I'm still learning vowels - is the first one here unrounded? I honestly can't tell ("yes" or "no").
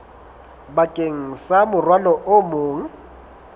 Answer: yes